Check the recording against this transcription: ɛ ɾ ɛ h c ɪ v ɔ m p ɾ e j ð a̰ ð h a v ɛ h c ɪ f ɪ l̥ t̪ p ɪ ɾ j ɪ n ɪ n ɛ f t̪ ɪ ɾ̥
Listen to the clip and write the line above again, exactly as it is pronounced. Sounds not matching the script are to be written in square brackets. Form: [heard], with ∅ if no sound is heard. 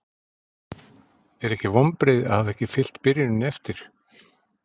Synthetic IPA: ɛ ɾ ɛ h c ɪ v ɔ m p ɾ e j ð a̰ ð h a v ɛ h c ɪ f ɪ l̥ t̪ p ɪ ɾ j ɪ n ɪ n ɛ f t̪ ɪ ɾ̥